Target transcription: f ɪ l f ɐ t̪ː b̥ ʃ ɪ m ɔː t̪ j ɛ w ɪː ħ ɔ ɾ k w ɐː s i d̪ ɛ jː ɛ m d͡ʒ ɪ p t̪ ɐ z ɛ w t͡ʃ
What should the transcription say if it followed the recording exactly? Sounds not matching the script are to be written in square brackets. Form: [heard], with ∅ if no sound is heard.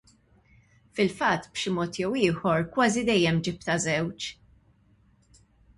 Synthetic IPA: f ɪ l f ɐ t̪ː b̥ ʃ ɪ m ɔː t̪ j ɛ w ɪː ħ ɔ ɾ k w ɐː [z] i d̪ ɛ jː ɛ m d͡ʒ ɪ p t̪ ɐ z ɛ w t͡ʃ